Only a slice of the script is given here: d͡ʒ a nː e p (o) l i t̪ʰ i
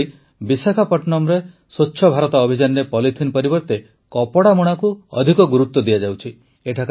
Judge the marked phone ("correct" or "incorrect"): incorrect